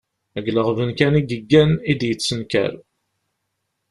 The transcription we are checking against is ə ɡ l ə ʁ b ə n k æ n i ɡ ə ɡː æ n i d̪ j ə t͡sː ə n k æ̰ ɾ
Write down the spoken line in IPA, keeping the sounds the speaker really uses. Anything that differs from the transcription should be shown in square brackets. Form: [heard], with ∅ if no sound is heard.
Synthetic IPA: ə ɡ l ə ʁ [v] ə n k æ n i ɡ ə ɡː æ n i d̪ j ə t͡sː ə n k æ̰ ɾ